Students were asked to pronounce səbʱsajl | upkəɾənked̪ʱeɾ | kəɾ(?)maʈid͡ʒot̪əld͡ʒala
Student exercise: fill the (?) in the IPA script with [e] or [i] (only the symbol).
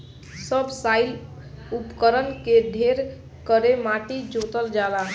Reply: e